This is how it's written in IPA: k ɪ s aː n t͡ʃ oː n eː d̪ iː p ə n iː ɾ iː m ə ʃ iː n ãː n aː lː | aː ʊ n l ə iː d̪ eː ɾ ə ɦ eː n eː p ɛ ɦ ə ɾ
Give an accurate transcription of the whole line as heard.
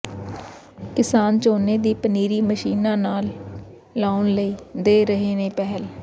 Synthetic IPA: k ɪ s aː n t͡ʃ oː n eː d̪ iː p ə n iː ɾ iː m ə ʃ iː n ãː n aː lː | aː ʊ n l ə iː d̪ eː ɾ ə ɦ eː n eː p ɛ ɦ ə l